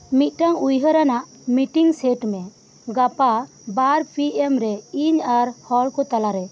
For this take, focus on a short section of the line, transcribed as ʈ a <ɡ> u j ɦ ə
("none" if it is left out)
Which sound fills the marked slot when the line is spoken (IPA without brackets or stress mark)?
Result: ŋ